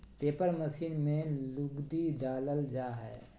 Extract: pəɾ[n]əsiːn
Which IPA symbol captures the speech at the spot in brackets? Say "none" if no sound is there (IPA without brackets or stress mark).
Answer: m